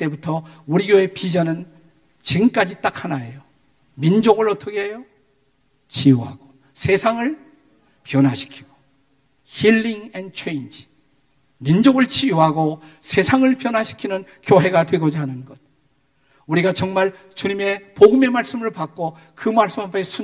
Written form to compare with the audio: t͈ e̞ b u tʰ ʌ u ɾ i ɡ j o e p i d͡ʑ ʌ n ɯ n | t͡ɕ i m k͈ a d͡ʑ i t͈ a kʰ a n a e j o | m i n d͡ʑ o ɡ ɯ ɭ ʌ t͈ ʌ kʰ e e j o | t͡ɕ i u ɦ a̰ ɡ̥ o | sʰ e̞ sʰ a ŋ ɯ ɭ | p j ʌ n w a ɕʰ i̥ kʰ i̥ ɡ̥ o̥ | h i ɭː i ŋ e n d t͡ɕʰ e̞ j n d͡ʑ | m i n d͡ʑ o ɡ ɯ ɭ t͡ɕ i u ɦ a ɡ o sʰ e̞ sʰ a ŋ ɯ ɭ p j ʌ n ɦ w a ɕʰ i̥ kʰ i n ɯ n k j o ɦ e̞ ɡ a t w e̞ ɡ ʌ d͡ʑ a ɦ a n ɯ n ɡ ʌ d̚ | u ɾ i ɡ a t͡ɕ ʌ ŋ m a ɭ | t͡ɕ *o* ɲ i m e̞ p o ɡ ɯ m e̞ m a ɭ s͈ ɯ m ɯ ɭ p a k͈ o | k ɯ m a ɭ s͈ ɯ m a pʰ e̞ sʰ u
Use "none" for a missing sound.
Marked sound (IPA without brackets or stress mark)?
u